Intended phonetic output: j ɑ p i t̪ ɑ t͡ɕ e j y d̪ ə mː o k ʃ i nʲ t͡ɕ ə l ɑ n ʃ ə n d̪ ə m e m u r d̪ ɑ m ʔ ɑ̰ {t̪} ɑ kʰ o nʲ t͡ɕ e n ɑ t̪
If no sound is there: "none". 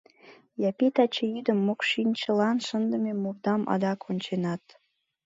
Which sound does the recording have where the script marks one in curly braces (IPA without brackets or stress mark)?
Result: d̪